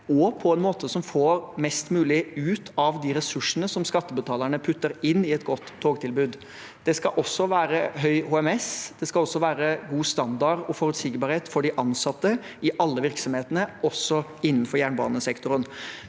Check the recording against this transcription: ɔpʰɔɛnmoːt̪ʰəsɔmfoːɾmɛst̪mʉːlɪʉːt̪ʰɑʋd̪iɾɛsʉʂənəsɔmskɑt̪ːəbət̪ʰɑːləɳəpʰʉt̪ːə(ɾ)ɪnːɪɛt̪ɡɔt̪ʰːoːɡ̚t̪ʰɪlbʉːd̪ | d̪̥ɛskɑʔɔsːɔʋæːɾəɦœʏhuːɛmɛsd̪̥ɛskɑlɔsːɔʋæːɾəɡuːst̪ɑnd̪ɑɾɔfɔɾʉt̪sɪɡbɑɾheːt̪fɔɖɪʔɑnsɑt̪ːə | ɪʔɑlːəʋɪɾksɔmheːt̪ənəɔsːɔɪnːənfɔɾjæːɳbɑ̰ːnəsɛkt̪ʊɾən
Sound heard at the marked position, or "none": ɾ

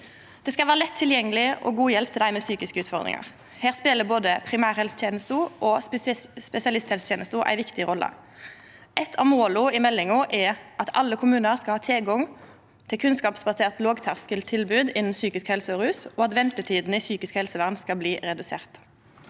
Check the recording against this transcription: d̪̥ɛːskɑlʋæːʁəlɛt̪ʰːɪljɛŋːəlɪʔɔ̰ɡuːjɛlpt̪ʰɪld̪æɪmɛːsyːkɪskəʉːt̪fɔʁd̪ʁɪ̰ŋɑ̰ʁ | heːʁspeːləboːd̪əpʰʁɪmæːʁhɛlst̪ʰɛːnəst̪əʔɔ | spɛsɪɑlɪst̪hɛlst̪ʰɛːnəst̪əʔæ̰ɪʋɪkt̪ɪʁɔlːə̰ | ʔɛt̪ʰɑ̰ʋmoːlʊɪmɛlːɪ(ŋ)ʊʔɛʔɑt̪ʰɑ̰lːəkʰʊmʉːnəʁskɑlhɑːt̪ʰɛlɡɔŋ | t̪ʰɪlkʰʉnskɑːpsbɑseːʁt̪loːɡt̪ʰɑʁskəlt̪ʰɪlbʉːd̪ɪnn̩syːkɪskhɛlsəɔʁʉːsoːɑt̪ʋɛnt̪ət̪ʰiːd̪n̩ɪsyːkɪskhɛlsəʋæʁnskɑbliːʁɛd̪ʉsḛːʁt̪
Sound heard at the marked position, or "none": ŋ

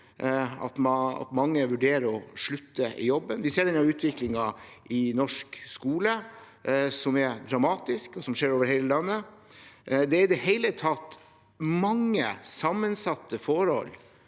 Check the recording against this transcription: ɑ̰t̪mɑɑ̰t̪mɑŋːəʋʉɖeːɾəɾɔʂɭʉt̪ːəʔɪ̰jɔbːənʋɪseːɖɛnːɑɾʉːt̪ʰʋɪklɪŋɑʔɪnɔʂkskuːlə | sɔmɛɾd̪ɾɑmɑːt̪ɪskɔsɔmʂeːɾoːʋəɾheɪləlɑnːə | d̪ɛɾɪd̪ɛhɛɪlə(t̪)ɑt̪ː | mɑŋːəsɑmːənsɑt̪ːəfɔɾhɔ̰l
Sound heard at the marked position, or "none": t̪ʰ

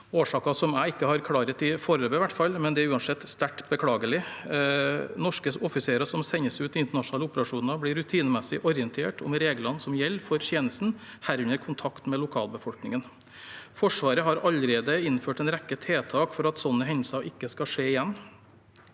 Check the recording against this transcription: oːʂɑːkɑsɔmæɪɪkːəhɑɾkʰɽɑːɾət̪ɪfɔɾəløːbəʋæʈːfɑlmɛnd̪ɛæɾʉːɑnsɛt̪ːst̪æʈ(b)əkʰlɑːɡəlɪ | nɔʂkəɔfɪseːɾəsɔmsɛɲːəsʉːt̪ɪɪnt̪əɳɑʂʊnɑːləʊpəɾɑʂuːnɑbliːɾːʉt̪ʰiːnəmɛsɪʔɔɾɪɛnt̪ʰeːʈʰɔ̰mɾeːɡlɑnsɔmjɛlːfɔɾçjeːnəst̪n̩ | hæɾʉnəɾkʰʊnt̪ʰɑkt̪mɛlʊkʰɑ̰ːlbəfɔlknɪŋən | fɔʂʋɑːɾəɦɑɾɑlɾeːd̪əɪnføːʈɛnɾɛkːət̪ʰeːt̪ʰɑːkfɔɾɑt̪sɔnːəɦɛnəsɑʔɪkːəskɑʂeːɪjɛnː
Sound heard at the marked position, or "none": b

